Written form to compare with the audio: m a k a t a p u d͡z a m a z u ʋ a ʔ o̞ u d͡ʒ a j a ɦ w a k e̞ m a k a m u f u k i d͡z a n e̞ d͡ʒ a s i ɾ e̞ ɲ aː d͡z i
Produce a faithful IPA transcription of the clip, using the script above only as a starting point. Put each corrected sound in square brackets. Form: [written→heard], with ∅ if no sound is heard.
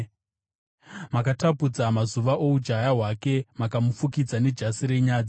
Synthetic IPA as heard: m a k a t a p u d͡z a m a z u ʋ a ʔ o̞ u d͡ʒ a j a ɦ w a k e̞ m a k a m u f u k i d͡z a n e̞ d͡ʒ a s i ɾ e̞ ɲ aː d͡z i